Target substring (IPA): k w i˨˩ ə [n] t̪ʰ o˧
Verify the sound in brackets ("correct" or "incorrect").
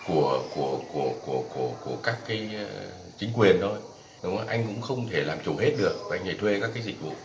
correct